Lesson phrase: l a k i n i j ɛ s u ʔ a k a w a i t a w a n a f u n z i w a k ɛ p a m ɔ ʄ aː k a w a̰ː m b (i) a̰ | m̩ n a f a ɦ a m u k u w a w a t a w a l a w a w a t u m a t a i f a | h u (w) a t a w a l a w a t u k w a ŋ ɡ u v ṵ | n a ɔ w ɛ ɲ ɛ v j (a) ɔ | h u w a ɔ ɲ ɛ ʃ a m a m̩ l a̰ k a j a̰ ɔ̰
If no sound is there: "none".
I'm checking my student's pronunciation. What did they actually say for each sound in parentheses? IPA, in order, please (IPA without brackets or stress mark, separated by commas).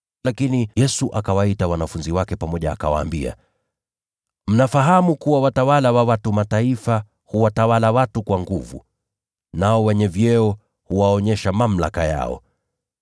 i, w, ɛ